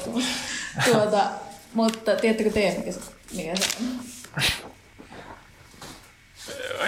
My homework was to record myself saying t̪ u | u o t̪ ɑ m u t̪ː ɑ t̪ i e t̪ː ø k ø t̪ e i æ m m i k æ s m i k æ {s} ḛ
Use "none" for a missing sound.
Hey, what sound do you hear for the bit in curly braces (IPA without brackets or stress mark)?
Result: s